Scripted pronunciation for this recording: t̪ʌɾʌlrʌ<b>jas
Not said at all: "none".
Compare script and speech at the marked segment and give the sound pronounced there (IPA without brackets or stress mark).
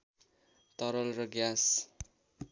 ɡ